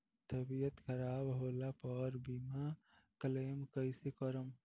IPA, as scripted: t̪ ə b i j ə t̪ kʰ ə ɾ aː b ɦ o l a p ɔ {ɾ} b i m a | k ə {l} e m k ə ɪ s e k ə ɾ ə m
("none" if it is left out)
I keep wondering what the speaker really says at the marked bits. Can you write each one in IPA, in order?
ɾ, l

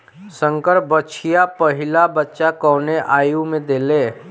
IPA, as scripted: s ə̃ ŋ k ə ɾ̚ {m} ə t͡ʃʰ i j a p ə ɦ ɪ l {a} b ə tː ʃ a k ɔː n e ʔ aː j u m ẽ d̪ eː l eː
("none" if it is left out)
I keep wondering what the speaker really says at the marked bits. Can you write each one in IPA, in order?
b, a

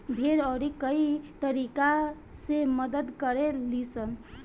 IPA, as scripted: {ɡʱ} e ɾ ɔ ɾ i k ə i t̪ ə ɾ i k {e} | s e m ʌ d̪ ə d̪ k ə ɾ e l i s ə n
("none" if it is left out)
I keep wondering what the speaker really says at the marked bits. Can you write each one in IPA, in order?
bʱ, a

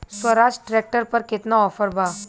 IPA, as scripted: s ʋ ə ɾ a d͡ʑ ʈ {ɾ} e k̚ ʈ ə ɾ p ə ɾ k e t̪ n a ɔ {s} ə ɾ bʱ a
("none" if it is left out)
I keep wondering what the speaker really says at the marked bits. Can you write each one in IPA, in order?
ɾ, f

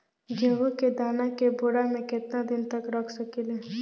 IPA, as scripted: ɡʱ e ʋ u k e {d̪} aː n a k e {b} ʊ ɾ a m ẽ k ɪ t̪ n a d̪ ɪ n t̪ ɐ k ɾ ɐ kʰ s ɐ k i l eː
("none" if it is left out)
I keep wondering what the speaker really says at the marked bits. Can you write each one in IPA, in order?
d̪, b

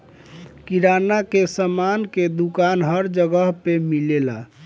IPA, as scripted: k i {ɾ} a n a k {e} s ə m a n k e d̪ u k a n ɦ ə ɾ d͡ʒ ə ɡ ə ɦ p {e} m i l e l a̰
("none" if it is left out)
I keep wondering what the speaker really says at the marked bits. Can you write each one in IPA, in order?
ɾ, e, e

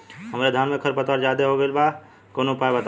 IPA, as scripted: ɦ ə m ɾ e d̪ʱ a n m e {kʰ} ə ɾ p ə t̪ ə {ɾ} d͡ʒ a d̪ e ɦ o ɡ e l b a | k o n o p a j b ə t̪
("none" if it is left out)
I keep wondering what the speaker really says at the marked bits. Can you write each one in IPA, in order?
kʰ, ɾ

